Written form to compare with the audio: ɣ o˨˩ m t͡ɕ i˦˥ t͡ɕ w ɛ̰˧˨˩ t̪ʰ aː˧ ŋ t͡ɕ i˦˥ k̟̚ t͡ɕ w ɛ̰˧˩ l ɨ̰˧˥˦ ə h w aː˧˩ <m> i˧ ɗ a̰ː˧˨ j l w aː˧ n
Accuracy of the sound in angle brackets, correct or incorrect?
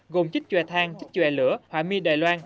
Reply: correct